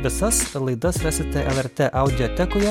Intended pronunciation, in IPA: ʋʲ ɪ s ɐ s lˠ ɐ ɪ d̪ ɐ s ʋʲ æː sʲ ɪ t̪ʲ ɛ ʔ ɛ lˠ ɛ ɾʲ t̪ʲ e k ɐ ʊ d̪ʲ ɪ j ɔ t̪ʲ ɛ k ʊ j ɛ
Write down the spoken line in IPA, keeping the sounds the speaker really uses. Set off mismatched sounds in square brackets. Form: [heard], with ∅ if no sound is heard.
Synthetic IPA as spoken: ʋʲ ɪ s ɐ s lˠ ɐ ɪ d̪ ɐ s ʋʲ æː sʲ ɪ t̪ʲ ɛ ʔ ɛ lˠ ɛ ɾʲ t̪ʲ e [ʔ] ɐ ʊ d̪ʲ ɪ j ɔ t̪ʲ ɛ k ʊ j ɛ